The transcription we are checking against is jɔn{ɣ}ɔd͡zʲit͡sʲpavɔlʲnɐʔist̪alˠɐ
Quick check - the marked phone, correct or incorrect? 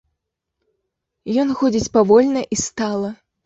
incorrect: x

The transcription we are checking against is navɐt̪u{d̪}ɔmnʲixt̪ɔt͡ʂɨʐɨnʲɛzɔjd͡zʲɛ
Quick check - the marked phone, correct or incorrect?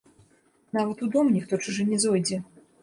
correct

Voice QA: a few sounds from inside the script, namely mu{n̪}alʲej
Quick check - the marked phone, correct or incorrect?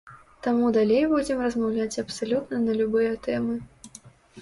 incorrect: d̪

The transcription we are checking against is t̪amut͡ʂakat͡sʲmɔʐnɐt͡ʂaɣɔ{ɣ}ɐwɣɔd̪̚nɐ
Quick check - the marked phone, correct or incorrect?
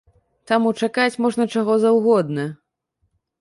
incorrect: z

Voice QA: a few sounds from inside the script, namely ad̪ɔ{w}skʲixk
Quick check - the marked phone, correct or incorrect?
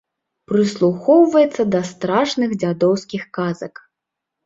correct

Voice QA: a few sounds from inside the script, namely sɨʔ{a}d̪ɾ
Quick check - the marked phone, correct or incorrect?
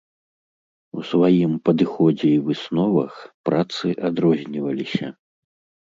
correct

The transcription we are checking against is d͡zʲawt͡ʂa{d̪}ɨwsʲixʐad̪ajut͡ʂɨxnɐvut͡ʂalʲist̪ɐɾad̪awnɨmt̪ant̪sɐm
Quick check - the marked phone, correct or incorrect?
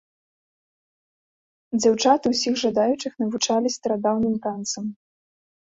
incorrect: t̪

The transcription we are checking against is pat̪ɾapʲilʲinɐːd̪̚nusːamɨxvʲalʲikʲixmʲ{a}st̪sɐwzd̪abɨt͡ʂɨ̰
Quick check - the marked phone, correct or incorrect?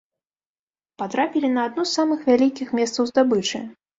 incorrect: ɛ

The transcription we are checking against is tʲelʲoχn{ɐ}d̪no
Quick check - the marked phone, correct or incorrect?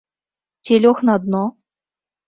incorrect: ɑ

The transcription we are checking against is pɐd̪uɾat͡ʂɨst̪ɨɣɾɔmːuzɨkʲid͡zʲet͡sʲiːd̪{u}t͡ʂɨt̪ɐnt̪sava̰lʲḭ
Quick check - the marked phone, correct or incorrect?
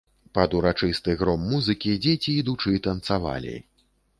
correct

